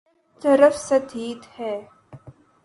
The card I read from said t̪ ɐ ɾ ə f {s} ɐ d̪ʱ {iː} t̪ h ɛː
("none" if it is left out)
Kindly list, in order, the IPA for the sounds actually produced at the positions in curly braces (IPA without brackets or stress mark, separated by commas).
s, iː